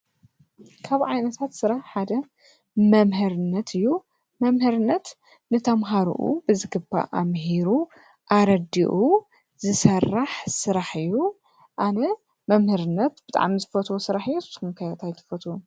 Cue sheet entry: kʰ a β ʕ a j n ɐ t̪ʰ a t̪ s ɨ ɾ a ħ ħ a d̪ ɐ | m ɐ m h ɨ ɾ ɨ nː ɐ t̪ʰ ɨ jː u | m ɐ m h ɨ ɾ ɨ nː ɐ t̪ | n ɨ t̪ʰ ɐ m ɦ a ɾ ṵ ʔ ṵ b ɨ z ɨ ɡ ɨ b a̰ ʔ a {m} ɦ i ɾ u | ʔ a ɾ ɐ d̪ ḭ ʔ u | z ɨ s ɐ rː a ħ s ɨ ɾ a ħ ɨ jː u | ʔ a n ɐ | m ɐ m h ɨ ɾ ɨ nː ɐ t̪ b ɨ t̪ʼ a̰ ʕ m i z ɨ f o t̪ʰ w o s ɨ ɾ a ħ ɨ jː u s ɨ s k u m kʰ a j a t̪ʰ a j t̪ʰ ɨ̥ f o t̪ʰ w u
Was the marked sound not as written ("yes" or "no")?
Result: no